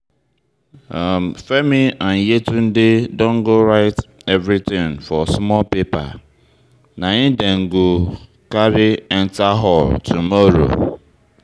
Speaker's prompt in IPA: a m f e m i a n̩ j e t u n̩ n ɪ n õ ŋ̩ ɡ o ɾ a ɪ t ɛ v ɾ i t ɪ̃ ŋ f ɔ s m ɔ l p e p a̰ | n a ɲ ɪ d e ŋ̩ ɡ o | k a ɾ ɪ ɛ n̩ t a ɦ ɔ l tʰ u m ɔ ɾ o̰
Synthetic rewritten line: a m f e m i a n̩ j e t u n̩ d ɪ d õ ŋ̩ ɡ o ɾ a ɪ t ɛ v ɾ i t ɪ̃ ŋ f ɔ s m ɔ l p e p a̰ | n a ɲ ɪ d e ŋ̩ ɡ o | k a ɾ ɪ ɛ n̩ t a ɦ ɔ l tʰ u m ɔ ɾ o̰